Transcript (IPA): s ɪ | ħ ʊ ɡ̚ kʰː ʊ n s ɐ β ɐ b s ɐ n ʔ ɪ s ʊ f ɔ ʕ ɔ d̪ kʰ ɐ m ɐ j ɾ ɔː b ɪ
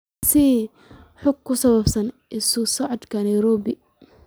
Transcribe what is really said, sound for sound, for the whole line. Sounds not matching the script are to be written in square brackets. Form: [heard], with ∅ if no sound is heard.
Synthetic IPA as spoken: s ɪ | ħ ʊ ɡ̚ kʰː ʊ [∅] s ɐ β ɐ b s ɐ n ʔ ɪ s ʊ [s] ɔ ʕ ɔ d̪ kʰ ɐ [n] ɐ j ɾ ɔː b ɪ